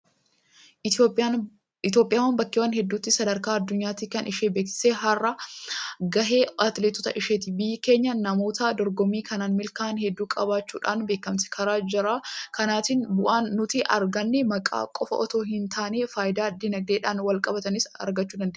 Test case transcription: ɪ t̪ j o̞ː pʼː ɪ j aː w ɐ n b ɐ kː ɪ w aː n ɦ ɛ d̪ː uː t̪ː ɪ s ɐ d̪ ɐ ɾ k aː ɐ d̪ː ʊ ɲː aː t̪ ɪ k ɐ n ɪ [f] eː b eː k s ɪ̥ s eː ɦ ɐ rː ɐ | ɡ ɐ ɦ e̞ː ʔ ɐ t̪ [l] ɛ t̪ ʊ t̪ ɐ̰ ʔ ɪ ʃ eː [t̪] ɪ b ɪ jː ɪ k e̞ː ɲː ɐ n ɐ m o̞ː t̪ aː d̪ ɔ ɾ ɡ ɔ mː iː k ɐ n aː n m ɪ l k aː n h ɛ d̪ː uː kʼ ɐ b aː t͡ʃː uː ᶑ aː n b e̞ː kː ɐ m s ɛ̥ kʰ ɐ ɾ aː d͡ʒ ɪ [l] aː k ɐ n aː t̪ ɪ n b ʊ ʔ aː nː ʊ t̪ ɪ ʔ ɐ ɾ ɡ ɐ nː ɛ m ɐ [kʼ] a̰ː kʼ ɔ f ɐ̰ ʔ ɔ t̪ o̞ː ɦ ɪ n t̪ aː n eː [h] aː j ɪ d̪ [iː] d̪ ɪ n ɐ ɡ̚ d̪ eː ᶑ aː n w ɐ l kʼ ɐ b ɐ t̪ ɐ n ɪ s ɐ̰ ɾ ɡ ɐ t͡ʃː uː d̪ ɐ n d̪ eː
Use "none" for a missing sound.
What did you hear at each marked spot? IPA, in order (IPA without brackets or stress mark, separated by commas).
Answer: ʃ, l, t̪, ɾ, kʼ, f, aː